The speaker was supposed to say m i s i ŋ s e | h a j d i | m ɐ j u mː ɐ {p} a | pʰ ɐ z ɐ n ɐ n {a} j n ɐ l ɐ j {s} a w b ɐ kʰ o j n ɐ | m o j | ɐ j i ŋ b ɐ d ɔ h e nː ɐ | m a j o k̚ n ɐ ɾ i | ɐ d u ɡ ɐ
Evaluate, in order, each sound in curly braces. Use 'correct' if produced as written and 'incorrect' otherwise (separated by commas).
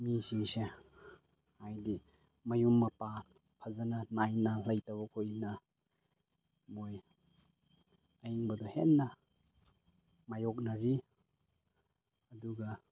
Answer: correct, correct, incorrect